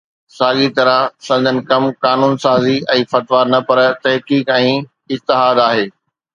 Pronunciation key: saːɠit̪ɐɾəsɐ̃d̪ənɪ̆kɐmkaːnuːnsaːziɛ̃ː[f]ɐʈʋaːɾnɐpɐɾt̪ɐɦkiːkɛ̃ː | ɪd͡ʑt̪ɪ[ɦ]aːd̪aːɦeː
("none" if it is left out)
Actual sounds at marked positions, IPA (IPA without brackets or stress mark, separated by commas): f, ɦ